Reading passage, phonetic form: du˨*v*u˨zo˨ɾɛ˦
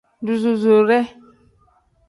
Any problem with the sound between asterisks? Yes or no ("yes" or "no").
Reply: yes